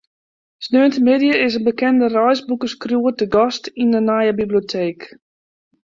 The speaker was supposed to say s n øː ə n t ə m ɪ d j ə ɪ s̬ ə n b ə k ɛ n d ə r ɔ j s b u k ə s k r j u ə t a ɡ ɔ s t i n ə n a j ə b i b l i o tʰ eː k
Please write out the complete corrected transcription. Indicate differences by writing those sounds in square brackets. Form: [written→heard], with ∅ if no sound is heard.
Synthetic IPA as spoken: s n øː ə n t ə m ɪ d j ə ɪ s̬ ə n b ə k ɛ n d ə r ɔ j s b u k ə s k r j u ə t [a→ə] ɡ ɔ s t i n ə n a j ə b i b l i o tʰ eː k

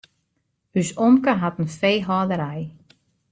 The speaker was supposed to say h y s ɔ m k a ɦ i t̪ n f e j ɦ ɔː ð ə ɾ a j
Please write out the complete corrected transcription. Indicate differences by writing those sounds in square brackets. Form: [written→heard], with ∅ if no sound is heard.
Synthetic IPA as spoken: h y s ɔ m k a ɦ [i→a] t̪ n f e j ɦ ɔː ð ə ɾ a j

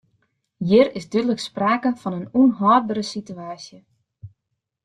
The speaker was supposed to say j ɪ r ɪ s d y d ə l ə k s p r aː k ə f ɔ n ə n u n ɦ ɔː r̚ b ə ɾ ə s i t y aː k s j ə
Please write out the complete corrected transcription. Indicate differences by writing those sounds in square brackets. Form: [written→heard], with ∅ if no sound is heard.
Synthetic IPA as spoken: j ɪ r ɪ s d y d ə l ə k s p r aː k ə f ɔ n ə n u n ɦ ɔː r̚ b ə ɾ ə s i t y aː [k→∅] s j ə

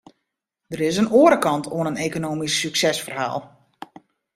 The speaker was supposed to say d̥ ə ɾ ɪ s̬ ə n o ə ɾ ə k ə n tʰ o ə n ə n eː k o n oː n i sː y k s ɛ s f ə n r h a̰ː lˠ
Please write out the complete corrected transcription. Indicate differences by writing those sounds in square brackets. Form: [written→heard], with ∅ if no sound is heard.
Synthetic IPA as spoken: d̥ ə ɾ ɪ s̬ ə n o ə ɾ ə k [ə→ɑ] n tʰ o ə n ə n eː k o n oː [n→m] i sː y k s ɛ s f ə [n→∅] r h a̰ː lˠ

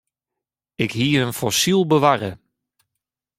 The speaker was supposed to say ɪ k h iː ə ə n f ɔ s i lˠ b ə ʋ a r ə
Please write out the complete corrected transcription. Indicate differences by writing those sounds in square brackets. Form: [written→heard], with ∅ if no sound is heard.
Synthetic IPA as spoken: ɪ k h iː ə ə n f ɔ s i lˠ b ə ʋ a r ə

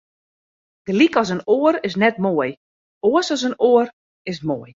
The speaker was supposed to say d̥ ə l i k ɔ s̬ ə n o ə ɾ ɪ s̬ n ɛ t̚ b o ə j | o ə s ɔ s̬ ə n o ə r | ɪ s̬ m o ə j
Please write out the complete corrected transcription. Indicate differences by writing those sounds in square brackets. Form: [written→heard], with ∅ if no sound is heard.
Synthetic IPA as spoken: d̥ ə l i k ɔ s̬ ə n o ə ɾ ɪ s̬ n ɛ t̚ [b→m] o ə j | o ə s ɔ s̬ ə n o ə r | ɪ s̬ m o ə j

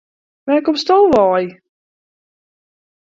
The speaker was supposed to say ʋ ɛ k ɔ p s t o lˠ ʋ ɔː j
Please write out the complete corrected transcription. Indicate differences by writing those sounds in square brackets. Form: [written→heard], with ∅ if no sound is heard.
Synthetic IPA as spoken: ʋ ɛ k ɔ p s t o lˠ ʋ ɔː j

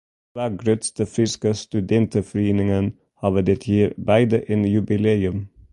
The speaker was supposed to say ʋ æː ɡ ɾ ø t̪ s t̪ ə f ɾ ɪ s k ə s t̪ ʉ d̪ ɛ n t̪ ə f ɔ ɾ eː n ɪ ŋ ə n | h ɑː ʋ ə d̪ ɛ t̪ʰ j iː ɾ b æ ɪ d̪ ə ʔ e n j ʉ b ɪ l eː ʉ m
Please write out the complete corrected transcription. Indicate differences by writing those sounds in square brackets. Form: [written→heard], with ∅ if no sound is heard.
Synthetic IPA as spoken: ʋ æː ɡ ɾ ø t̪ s t̪ ə f ɾ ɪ s k ə s t̪ ʉ d̪ ɛ n t̪ ə f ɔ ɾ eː n ɪ ŋ ə n | h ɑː ʋ ə d̪ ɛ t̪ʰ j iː ɾ b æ ɪ d̪ ə ʔ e n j ʉ b ɪ l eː ʉ m

